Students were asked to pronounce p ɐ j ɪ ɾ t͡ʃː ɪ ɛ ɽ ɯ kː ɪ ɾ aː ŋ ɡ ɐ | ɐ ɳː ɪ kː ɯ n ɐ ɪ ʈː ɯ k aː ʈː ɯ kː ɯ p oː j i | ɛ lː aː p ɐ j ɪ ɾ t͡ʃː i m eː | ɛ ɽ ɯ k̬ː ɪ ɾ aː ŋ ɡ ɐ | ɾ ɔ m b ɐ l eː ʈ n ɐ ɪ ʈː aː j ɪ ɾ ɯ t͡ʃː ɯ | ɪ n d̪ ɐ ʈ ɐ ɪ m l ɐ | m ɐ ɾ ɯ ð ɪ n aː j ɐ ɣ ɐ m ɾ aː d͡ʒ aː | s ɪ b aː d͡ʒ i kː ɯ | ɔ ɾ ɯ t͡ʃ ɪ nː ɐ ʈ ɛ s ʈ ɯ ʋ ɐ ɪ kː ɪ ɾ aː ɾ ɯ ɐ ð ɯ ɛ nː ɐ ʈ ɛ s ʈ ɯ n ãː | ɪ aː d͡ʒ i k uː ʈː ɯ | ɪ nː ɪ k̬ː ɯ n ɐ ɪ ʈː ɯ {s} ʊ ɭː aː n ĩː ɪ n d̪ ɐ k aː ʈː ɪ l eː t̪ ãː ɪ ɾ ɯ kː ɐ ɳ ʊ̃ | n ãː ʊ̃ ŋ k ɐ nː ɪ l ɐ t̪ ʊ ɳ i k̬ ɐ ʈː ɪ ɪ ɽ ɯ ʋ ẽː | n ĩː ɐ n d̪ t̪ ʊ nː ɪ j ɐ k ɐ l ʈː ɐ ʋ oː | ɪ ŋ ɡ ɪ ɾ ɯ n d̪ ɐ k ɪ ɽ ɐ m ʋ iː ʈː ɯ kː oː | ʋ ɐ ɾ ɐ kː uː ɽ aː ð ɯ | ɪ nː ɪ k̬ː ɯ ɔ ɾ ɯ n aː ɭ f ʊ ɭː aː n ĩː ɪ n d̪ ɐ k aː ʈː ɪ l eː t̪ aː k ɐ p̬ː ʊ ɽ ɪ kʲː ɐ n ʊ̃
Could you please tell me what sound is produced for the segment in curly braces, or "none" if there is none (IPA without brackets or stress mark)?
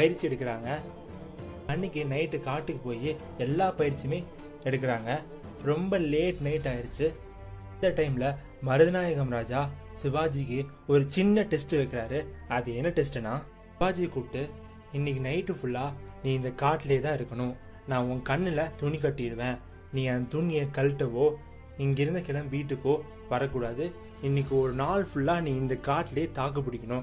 f